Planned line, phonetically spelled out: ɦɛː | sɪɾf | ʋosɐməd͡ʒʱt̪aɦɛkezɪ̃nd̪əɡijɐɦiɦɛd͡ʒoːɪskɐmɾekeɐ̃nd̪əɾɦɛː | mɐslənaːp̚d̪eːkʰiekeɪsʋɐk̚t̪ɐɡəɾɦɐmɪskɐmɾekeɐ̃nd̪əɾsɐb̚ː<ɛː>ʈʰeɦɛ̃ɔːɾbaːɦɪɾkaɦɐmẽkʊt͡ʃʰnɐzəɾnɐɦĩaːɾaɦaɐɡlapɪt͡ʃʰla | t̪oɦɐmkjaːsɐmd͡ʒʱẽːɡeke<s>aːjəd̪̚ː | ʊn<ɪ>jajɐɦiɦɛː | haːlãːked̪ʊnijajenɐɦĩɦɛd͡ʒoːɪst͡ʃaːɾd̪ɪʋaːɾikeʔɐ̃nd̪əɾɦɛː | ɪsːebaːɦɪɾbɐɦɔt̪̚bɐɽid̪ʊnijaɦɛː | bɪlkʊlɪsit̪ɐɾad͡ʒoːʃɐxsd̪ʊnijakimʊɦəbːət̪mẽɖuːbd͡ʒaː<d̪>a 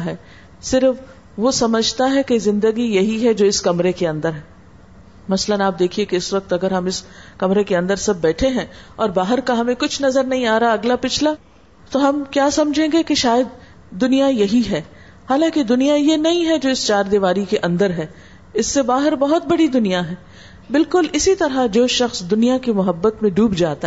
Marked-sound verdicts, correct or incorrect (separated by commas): correct, incorrect, incorrect, incorrect